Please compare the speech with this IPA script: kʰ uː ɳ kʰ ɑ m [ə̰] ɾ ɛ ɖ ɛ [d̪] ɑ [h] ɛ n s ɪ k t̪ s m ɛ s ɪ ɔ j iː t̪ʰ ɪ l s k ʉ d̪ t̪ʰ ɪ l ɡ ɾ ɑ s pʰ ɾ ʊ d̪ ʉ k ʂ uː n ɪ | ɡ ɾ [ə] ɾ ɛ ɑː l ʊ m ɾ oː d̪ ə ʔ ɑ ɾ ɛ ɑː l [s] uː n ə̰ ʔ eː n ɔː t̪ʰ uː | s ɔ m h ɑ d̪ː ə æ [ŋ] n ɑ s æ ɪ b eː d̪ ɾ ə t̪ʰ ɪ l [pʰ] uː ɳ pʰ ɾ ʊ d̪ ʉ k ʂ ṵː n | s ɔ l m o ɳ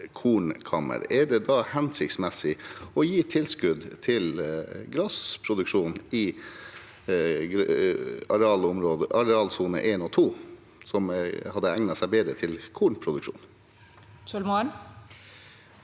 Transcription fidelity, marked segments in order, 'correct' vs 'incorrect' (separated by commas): correct, correct, correct, incorrect, correct, correct, incorrect